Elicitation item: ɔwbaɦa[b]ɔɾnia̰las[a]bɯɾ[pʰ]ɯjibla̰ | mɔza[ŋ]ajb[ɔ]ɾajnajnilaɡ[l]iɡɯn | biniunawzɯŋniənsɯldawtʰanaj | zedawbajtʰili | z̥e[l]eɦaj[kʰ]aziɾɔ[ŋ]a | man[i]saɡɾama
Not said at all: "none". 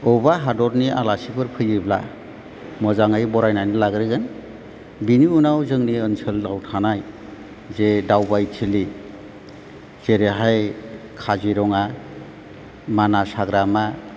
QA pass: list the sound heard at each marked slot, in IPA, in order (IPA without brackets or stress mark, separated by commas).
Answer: d, i, pʰ, ŋ, ɔ, ɾ, ɾ, kʰ, ŋ, a